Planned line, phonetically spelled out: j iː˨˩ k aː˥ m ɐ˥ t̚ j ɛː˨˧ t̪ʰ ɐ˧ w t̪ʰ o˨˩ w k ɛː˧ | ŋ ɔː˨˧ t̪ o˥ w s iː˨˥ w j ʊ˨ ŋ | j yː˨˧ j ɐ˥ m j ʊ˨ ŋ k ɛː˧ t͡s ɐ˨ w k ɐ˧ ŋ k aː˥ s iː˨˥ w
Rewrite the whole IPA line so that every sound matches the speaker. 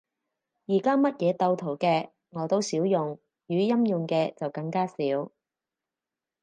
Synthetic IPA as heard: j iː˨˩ k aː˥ m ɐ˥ t̚ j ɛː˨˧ t̪ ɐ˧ w t̪ʰ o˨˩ w k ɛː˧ | ŋ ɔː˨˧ t̪ o˥ w s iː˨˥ w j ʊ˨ ŋ | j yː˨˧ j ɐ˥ m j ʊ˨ ŋ k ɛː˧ t͡s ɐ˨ w k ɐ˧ ŋ k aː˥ s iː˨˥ w